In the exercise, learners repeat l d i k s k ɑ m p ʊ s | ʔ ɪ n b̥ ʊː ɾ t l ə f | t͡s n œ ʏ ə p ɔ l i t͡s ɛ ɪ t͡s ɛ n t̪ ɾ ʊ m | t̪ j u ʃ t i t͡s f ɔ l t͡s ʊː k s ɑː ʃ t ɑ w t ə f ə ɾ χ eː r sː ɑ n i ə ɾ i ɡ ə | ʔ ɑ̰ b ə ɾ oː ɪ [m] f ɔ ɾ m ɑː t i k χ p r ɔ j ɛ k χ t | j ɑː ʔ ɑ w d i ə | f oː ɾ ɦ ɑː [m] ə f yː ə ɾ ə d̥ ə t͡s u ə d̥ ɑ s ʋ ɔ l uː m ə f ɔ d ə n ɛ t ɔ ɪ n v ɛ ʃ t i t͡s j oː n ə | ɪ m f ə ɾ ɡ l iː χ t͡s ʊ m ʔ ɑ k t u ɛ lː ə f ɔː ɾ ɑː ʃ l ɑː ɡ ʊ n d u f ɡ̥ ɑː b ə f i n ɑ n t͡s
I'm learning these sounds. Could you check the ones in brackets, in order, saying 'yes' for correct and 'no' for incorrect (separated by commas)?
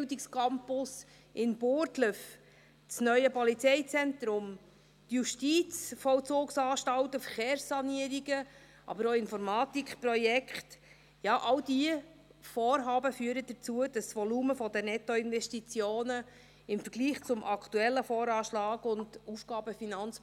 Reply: no, no